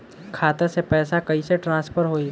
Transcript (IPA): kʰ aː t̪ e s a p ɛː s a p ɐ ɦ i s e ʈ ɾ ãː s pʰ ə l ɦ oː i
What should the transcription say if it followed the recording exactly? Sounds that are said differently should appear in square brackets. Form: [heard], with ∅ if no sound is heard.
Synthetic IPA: kʰ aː t̪ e s [e] p ɛː s a [k] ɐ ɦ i s e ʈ ɾ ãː s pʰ ə [ɾ] ɦ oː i